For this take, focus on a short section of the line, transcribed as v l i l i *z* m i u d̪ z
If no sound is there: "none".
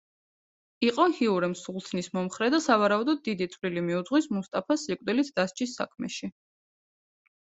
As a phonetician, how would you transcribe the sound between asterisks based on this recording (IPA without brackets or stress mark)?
none